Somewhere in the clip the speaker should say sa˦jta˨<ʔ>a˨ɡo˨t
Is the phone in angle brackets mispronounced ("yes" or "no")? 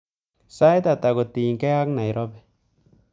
yes